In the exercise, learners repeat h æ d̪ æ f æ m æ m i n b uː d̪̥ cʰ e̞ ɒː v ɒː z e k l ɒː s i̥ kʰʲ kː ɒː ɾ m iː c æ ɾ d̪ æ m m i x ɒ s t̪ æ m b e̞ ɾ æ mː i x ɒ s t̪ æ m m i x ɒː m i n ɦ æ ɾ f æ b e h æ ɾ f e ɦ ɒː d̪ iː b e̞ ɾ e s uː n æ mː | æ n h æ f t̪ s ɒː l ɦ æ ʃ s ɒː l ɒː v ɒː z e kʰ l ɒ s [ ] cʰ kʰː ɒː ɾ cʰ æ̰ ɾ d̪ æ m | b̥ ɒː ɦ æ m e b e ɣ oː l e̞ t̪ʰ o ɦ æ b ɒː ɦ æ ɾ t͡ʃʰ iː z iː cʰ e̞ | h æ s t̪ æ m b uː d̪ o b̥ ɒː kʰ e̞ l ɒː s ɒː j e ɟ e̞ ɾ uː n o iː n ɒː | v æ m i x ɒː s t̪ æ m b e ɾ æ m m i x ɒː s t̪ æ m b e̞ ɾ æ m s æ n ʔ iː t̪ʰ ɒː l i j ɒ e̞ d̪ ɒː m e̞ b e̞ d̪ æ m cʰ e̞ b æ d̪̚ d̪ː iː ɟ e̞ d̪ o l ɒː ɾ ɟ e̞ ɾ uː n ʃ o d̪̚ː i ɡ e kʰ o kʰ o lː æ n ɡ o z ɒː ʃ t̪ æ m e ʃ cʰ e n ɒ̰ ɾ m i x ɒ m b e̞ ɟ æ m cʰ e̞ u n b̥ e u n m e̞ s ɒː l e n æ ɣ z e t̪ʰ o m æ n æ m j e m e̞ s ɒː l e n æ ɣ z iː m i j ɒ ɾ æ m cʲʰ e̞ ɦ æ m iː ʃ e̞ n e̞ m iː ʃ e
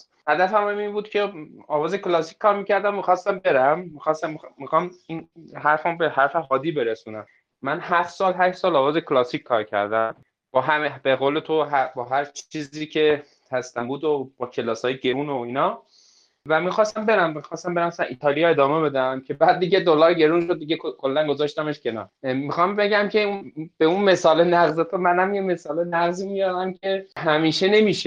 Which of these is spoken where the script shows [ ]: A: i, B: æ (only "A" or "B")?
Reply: A